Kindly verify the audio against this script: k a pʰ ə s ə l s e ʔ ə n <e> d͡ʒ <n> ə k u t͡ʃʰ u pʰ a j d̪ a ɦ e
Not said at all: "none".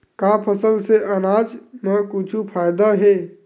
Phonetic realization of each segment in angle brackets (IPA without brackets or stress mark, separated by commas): a, m